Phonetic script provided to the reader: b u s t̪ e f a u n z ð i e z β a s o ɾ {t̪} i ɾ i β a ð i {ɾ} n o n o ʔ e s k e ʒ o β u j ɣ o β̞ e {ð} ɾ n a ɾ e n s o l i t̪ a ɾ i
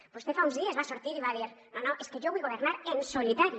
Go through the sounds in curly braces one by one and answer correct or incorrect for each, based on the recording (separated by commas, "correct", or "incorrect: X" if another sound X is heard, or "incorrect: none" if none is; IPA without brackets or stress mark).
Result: correct, correct, incorrect: none